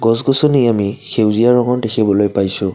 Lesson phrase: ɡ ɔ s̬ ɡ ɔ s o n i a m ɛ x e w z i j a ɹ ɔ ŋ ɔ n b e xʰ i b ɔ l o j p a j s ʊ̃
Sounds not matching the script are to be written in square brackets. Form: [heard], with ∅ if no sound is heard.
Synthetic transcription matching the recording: ɡ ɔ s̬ ɡ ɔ s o n i a m [i] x e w z i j a ɹ ɔ ŋ ɔ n [d] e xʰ i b ɔ l o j p a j s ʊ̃